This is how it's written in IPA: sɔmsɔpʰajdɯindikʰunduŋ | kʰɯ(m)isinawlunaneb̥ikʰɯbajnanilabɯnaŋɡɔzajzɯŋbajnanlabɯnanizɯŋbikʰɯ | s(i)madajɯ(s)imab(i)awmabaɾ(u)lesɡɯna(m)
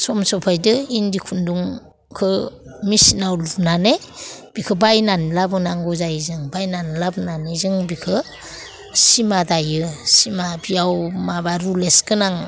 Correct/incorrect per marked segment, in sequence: correct, correct, correct, correct, correct, incorrect

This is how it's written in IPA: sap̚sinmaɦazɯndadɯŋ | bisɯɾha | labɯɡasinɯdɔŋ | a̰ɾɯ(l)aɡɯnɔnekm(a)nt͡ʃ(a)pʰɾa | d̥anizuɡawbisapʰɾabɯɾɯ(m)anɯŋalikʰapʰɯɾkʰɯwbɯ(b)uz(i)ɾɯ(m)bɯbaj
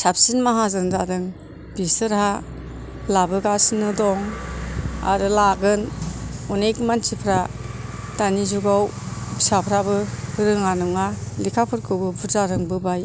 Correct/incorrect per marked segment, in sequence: correct, correct, incorrect, incorrect, correct, incorrect, incorrect

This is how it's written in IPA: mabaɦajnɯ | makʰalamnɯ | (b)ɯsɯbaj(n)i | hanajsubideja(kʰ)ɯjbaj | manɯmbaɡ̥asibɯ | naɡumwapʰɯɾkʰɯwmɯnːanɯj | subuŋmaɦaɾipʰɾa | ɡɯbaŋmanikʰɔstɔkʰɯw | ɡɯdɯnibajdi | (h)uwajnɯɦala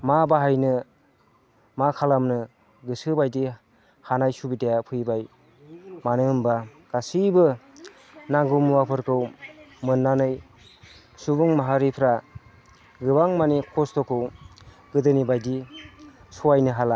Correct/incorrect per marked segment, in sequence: incorrect, incorrect, incorrect, incorrect

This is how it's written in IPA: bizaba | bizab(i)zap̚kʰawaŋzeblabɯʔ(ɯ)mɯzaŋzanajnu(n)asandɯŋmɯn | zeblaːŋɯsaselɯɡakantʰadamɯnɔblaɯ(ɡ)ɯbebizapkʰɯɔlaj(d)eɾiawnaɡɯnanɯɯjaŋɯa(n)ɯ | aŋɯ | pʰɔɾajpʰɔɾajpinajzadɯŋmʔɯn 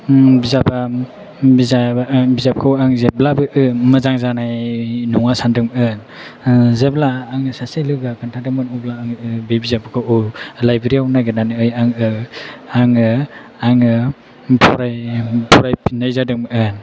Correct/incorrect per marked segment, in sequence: correct, correct, incorrect, incorrect, incorrect, incorrect

